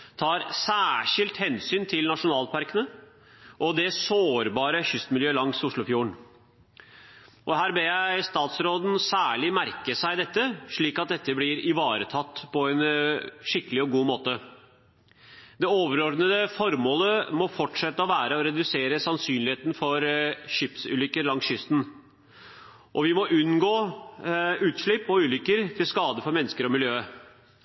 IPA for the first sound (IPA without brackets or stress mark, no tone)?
t̪ʰ